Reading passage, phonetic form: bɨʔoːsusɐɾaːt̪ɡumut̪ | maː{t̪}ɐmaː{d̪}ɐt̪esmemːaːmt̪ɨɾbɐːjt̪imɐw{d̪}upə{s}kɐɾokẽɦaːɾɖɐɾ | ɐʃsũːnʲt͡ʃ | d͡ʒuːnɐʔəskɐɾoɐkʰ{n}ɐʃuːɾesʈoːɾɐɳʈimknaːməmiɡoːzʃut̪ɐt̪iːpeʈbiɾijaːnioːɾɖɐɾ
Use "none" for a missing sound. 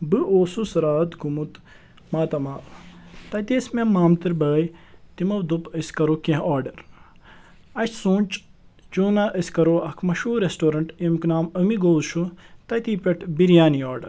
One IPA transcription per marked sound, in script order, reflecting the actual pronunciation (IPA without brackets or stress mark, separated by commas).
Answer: t̪, t̪, d̪, s, m